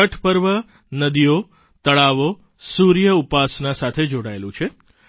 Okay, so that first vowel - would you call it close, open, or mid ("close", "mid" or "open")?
mid